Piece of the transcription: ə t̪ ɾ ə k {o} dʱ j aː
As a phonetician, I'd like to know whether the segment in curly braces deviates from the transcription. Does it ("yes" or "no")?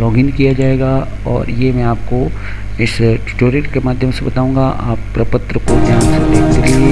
no